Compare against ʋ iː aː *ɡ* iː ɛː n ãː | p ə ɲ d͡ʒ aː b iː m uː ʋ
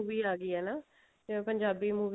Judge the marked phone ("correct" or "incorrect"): correct